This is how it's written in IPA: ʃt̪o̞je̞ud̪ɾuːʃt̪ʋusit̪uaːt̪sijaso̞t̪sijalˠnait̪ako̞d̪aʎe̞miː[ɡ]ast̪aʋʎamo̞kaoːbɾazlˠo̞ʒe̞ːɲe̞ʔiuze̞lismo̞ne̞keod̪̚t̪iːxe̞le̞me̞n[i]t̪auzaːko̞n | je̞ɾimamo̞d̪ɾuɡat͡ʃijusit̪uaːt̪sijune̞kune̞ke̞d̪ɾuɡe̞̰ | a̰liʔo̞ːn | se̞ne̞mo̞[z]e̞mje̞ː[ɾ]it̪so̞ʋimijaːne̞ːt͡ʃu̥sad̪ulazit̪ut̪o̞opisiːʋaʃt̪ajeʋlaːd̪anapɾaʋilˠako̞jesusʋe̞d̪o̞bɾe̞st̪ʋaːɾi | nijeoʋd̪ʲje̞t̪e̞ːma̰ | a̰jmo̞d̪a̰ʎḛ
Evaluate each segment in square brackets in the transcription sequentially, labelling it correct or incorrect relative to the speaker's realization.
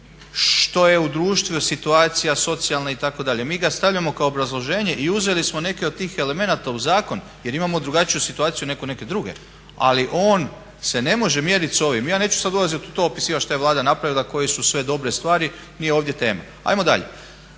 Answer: correct, incorrect: a, incorrect: ʒ, correct

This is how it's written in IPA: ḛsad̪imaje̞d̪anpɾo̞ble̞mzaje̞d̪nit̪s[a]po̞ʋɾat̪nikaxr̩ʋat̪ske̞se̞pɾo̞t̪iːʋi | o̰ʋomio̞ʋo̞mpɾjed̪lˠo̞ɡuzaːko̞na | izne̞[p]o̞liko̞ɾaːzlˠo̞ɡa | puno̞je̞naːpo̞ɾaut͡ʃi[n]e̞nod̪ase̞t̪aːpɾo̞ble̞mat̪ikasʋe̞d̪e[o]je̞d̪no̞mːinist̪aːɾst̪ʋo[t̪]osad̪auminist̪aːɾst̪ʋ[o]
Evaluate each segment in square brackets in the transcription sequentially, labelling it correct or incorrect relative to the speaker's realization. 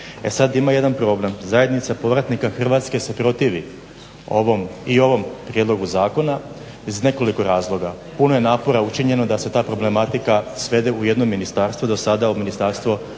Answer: correct, incorrect: k, incorrect: ɲ, incorrect: u, incorrect: d̪, correct

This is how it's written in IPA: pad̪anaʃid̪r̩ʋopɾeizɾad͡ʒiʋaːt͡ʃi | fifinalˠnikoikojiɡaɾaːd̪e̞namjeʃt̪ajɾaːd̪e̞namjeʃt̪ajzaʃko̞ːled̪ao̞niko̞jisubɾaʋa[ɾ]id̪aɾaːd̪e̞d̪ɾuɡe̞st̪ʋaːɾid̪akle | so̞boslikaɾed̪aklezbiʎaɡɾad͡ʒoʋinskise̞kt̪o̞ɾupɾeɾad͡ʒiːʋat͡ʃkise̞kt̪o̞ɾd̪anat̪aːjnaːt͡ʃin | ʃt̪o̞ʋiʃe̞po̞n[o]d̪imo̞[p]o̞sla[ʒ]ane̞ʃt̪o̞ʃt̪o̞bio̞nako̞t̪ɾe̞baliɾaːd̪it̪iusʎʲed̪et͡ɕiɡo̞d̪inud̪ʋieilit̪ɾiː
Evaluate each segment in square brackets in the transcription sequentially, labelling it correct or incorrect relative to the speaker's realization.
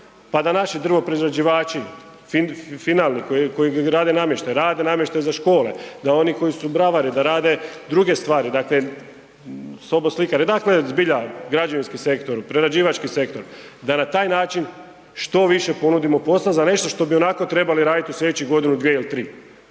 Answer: correct, incorrect: u, correct, incorrect: z

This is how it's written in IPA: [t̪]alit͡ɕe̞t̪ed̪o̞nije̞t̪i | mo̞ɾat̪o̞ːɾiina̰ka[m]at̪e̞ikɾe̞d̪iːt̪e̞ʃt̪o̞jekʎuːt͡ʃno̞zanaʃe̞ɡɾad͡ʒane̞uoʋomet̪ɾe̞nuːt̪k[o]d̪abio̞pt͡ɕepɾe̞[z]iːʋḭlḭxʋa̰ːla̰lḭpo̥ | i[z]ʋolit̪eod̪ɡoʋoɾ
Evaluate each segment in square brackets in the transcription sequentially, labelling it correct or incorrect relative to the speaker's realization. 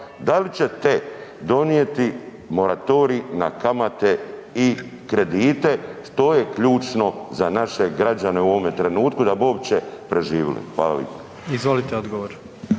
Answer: incorrect: d̪, correct, incorrect: u, incorrect: ʒ, correct

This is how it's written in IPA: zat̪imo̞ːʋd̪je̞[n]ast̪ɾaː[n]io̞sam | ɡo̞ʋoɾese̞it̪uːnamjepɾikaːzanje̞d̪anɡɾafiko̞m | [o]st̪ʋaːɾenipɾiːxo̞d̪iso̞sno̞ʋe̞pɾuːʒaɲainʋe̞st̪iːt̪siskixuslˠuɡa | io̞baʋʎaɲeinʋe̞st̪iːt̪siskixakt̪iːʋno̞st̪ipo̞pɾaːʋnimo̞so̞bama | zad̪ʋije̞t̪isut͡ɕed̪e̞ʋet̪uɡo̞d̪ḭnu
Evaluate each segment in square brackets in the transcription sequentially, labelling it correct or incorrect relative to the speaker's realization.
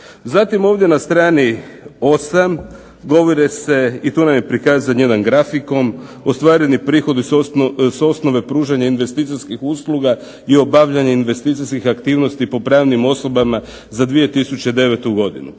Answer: correct, correct, correct

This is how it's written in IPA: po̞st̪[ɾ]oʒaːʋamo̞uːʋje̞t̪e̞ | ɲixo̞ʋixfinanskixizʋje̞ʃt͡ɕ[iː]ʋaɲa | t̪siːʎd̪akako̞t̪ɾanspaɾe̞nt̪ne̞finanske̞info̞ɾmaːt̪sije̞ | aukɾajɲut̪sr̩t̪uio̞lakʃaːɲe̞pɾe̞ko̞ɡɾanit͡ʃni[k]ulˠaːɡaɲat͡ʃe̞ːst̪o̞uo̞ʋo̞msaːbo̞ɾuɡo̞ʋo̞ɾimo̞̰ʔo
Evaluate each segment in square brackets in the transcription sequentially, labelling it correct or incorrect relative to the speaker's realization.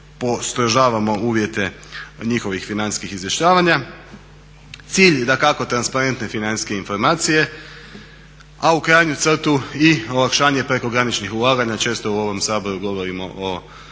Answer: correct, incorrect: aː, incorrect: x

